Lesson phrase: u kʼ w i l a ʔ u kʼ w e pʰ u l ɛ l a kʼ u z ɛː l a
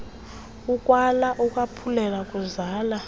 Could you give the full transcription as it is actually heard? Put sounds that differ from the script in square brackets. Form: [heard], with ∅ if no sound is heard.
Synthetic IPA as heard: u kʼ w [a] l a ʔ u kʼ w [a] pʰ u l ɛ l a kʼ u z [aː] l a